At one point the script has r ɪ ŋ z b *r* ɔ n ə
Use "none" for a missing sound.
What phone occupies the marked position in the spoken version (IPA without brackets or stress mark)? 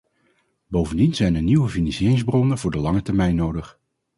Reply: r